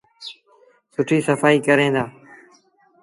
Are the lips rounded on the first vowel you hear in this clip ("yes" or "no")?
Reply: yes